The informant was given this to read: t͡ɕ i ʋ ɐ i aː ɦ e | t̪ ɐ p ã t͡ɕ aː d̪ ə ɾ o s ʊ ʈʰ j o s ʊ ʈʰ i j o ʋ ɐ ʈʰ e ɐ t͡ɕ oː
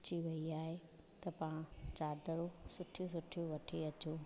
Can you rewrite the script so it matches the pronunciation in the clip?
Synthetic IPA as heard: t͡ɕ i ʋ ɐ i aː ɦ e | t̪ ɐ p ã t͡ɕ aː d̪ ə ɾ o s ʊ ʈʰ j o s ʊ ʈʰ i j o ʋ ɐ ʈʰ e ɐ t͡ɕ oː